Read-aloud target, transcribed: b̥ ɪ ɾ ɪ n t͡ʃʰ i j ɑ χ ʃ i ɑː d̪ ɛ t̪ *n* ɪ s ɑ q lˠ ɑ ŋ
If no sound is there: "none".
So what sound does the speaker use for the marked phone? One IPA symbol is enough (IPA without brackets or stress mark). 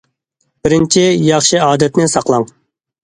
n